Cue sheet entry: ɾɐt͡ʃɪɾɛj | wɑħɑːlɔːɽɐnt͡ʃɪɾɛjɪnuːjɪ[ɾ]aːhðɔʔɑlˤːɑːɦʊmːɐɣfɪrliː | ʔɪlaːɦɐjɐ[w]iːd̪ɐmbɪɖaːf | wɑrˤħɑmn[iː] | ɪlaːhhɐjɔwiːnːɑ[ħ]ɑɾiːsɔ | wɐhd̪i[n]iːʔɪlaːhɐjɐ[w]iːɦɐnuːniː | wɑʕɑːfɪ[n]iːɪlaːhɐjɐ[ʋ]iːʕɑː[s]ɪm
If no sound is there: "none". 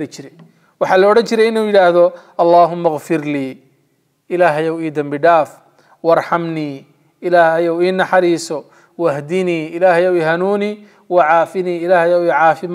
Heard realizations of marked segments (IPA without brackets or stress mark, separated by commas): ɽ, w, iː, ħ, n, w, n, w, f